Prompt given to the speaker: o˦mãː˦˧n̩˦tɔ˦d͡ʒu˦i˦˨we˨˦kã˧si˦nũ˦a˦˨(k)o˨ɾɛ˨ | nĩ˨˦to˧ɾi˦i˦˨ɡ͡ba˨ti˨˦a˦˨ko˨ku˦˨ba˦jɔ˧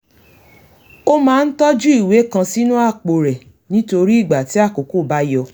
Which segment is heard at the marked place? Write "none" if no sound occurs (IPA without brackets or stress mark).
k͡p